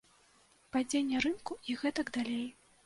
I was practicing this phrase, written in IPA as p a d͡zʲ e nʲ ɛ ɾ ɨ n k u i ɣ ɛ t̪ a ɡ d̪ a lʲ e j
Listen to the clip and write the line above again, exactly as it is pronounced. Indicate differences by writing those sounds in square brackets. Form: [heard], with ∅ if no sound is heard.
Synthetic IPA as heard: p a d͡zʲ e [nʲː] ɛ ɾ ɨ n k u i ɣ ɛ t̪ [ɐ] ɡ d̪ a lʲ e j